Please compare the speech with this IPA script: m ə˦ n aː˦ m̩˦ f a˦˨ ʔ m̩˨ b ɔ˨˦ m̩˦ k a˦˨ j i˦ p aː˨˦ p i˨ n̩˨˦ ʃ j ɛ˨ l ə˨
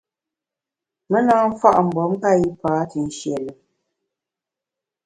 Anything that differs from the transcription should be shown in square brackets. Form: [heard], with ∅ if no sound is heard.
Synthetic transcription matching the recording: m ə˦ n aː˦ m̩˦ f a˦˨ ʔ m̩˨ b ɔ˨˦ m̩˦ k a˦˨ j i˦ p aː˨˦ [t] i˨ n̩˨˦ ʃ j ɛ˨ l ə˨